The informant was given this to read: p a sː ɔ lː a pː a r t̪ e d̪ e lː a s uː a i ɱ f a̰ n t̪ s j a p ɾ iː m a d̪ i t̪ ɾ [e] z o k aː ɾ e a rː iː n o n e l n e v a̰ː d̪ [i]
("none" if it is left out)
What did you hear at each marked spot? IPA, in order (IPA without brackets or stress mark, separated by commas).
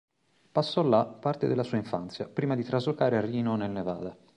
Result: a, a